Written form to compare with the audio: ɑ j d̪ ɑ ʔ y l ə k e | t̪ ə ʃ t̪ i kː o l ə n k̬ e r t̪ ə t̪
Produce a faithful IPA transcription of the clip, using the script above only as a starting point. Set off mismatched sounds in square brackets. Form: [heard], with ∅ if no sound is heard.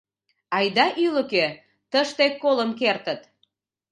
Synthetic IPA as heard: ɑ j d̪ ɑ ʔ y l ə k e | t̪ ə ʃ t̪ [e] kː o l ə [m] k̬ e r t̪ ə t̪